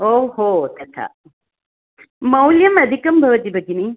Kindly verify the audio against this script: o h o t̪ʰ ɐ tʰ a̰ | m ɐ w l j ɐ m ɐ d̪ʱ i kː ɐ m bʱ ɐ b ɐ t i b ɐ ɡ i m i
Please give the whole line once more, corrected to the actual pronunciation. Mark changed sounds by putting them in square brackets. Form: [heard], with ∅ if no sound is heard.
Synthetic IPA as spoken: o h o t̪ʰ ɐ tʰ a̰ | m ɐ w l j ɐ m ɐ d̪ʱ i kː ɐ m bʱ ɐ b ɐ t i b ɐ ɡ i [n] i